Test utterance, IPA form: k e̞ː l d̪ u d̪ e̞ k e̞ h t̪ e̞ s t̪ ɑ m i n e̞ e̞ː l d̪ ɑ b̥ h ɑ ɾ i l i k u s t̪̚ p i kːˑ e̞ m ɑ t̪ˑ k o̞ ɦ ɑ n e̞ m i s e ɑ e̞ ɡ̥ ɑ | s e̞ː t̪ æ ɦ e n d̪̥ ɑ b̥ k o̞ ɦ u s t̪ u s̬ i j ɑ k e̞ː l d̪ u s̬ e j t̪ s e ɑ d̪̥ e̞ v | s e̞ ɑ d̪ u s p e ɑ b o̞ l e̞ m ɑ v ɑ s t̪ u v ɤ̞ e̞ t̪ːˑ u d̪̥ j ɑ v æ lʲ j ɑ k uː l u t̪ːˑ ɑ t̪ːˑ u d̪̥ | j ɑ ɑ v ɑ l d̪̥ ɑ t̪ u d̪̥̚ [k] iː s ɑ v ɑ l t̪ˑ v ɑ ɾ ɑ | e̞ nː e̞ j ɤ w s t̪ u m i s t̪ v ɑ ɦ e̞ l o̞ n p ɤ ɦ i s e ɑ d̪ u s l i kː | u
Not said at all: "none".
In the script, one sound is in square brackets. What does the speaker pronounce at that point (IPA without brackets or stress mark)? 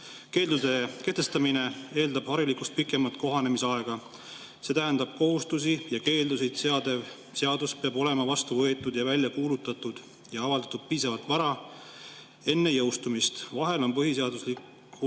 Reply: p